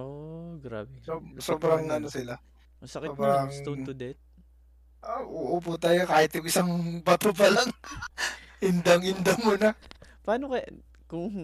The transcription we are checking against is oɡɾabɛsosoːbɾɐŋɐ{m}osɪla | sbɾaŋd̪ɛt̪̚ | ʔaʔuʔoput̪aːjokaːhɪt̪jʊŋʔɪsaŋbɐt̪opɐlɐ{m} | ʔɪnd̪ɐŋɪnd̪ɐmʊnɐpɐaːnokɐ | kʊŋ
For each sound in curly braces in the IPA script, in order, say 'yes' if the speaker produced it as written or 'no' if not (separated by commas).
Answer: no, no